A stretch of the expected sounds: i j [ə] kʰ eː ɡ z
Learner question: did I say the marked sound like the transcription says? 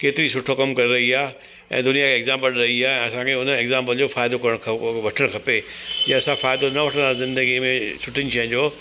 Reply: no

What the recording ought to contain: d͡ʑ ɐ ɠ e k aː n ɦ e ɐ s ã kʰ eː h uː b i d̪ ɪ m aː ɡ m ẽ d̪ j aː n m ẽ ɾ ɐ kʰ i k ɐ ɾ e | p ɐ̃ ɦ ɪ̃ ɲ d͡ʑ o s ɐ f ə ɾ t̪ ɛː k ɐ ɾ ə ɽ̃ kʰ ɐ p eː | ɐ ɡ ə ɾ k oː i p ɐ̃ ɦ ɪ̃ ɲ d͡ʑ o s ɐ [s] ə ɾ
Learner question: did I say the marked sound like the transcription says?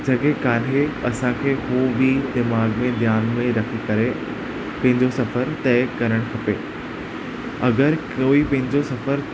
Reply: no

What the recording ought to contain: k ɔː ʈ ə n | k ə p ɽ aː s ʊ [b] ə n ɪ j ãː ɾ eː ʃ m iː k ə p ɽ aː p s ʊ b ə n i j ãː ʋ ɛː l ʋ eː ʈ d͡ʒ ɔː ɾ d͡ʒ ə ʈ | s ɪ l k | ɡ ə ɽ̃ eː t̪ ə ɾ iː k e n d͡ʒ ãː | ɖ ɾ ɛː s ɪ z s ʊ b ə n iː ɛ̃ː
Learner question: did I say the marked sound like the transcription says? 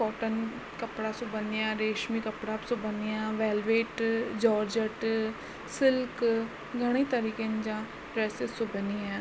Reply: yes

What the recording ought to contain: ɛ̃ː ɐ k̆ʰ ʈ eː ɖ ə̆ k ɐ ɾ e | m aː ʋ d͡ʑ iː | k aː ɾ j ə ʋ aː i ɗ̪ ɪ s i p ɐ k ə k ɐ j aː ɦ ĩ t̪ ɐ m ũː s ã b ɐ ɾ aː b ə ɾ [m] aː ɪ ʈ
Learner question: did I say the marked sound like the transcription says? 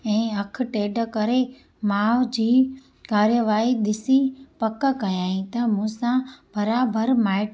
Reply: yes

